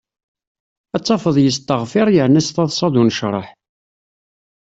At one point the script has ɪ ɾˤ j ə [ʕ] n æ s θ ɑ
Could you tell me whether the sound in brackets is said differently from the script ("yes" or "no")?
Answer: no